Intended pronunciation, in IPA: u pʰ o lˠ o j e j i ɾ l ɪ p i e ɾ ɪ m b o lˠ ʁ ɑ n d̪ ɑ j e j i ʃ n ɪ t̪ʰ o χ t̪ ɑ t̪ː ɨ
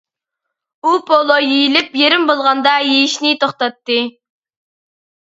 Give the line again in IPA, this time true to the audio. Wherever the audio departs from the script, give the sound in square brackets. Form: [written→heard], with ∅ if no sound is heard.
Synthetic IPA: u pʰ o lˠ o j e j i [ɾ→∅] l ɪ p [i→j] e ɾ ɪ m b o lˠ ʁ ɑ n d̪ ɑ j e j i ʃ n ɪ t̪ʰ o χ t̪ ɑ t̪ː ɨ